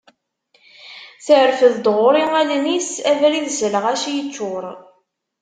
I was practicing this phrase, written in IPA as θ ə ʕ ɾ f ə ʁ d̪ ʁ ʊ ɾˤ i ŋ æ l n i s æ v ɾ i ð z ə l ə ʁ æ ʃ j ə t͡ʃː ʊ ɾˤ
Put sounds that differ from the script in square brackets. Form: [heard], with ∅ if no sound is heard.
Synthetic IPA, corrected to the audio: θ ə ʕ ɾ f ə [ð] d̪ ʁ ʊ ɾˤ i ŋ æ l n i s æ v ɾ i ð z ə l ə ʁ æ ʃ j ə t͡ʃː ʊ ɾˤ